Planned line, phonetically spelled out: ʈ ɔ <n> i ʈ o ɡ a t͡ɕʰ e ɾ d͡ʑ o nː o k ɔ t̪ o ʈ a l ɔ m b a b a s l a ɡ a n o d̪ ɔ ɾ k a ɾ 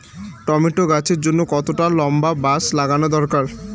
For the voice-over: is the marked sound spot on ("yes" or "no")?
no